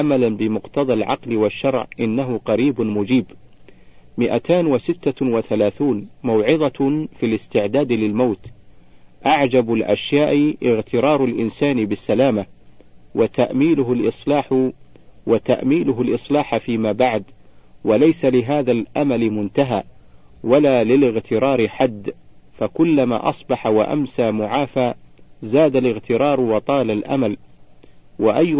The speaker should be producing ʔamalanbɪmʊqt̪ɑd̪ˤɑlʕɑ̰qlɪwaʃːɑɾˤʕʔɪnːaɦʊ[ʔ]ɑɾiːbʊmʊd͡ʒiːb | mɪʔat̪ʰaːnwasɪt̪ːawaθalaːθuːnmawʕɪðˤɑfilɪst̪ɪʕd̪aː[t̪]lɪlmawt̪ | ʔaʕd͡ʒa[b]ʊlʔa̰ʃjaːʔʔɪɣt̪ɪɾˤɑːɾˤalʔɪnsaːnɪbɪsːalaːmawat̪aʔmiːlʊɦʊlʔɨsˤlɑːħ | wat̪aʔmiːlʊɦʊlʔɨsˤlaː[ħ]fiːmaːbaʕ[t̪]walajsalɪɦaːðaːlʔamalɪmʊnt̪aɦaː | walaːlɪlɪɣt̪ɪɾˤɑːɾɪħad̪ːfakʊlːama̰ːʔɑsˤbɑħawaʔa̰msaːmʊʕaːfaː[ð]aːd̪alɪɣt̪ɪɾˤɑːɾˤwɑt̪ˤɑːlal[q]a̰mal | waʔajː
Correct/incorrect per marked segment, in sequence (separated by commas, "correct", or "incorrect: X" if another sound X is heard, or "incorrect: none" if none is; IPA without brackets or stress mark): incorrect: q, incorrect: d̪, correct, correct, incorrect: d̪, incorrect: z, incorrect: ʔ